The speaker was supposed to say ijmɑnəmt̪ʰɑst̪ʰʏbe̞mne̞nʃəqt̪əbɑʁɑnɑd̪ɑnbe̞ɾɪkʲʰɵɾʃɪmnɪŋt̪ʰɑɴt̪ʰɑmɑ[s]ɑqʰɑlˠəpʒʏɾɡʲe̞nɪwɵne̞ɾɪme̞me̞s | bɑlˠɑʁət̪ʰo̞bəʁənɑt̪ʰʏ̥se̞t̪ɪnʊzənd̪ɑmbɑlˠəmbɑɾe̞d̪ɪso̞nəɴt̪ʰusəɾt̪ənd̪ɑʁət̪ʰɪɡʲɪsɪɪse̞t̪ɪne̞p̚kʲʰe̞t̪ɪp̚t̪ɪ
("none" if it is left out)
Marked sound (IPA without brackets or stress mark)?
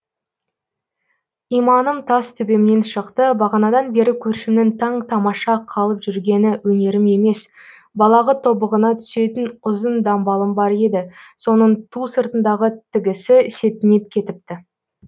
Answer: ʃ